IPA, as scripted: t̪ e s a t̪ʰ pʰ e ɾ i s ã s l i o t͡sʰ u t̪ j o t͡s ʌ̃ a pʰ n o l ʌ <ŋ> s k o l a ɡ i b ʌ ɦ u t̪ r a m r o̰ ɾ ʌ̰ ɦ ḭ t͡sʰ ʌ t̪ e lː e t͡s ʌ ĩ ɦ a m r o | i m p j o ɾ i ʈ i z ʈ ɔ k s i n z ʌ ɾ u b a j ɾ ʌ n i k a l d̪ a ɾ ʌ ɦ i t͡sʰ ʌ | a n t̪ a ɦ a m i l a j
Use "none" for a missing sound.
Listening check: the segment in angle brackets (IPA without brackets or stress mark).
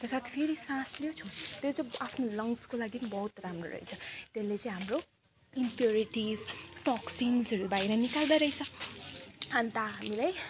ŋ